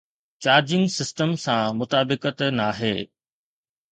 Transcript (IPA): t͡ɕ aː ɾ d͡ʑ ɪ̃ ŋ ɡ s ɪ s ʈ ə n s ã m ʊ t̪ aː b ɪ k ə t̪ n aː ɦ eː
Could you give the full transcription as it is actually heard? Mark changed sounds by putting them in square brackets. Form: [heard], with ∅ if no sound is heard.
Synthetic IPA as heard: t͡ɕ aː ɾ d͡ʑ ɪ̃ ŋ ɡ s ɪ s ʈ ə [m] s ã m ʊ t̪ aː b ɪ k ə t̪ n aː ɦ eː

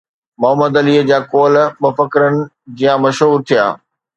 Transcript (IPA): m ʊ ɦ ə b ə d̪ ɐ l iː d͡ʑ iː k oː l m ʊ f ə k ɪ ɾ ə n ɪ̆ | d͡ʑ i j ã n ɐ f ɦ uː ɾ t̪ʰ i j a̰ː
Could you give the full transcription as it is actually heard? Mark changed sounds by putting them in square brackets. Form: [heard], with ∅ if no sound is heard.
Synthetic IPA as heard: m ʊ ɦ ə [m] ə d̪ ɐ l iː d͡ʑ [aː] k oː l m ʊ f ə k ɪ ɾ ə n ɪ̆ | d͡ʑ i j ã [m] ɐ [ʃ] ɦ uː ɾ t̪ʰ i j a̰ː

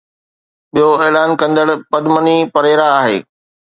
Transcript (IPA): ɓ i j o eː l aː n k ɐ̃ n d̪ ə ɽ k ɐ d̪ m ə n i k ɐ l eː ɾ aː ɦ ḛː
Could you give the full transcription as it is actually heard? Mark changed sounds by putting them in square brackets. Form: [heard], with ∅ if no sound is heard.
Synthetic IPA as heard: ɓ i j o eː l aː n k ɐ̃ n d̪ ə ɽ [p] ɐ d̪ m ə n i [p] ɐ [ɾ] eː ɾ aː ɦ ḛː

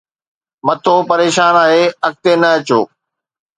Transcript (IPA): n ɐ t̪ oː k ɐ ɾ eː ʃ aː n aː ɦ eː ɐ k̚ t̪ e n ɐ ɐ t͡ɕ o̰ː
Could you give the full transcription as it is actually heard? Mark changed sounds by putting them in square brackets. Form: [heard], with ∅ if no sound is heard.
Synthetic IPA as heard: [m] ɐ [t̪ʰ] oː [p] ɐ ɾ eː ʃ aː n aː ɦ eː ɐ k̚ t̪ e n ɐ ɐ t͡ɕ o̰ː

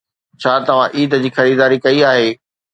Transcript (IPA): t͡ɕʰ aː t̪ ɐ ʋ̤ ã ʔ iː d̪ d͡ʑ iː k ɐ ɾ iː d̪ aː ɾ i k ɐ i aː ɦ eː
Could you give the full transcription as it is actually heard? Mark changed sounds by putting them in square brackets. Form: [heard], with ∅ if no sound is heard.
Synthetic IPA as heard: t͡ɕʰ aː t̪ ɐ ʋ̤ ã ʔ iː d̪ d͡ʑ iː [x] ɐ ɾ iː d̪ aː ɾ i k ɐ i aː ɦ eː

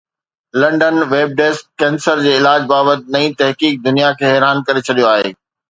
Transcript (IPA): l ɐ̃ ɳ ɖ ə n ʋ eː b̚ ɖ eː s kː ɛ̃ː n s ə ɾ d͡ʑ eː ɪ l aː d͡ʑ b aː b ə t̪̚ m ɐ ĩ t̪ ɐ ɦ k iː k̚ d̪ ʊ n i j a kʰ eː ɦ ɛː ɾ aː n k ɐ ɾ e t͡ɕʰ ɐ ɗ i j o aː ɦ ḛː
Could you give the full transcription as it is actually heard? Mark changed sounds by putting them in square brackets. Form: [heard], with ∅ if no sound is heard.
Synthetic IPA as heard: l ɐ̃ ɳ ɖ ə n ʋ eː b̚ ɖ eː s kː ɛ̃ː n s ə ɾ d͡ʑ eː ɪ l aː d͡ʑ b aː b ə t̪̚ [n] ɐ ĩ t̪ ɐ ɦ k iː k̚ d̪ ʊ n i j a kʰ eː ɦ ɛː ɾ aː n k ɐ ɾ e t͡ɕʰ ɐ ɗ i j o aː ɦ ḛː

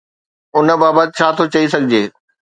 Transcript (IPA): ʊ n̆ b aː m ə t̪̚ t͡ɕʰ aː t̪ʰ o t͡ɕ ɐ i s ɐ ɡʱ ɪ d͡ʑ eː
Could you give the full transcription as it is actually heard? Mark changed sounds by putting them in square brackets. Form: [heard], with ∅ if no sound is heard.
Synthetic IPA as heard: ʊ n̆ b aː [b] ə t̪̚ t͡ɕʰ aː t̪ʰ o t͡ɕ ɐ i s ɐ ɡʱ ɪ d͡ʑ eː

